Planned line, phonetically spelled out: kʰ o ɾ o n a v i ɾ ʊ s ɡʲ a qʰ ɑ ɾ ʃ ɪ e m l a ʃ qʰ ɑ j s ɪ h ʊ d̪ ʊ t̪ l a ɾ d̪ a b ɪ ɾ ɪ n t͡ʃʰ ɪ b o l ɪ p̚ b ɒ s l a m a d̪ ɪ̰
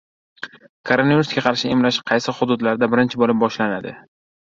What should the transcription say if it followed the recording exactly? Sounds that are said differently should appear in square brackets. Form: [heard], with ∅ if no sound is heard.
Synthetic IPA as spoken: kʰ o ɾ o n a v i ɾ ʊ s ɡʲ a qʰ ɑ ɾ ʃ ɪ e m l a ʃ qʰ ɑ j s ɪ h ʊ d̪ ʊ [d̪] l a ɾ d̪ a b ɪ ɾ ɪ n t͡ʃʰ ɪ b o l ɪ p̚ b ɒ [ʃ] l a [n] a d̪ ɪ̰